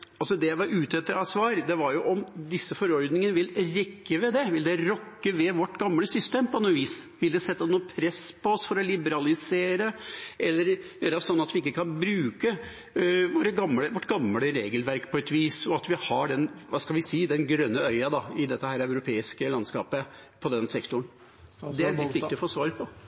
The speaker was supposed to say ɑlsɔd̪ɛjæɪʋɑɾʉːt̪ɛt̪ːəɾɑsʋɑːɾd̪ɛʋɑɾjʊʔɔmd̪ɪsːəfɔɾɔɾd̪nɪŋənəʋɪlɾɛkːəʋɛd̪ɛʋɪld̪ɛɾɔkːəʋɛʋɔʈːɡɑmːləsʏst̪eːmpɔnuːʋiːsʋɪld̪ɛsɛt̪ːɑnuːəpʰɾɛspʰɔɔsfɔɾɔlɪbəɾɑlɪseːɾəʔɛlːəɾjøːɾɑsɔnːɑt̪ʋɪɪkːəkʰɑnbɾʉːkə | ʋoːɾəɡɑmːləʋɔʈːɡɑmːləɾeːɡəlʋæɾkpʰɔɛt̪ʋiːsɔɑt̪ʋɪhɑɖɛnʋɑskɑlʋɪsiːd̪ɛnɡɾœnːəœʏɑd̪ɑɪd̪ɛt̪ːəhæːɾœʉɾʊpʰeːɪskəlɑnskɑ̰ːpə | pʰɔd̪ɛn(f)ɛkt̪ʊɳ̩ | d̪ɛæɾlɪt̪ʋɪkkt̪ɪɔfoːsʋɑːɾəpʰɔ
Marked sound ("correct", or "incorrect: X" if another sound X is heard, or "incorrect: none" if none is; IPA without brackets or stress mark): incorrect: s